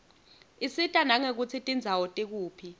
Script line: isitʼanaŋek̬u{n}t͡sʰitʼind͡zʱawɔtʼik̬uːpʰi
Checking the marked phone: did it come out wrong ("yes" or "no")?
yes